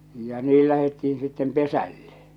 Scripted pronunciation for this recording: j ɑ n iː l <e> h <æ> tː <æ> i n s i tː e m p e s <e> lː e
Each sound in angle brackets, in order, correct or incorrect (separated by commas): incorrect, incorrect, incorrect, incorrect